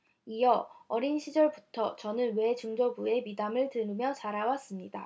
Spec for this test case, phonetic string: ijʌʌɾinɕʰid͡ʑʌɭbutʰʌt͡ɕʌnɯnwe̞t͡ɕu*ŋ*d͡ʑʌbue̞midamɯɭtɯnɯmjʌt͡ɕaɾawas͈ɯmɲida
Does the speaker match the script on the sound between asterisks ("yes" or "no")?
yes